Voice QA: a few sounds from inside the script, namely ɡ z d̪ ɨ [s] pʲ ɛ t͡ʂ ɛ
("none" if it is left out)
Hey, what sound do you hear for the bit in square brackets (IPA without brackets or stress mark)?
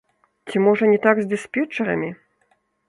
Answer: s